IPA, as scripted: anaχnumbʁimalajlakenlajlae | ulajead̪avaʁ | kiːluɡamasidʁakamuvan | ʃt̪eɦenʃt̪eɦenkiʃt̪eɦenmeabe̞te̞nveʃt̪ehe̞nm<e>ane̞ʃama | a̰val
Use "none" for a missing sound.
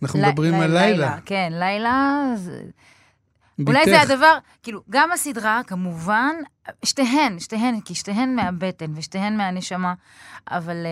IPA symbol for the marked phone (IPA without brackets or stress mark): e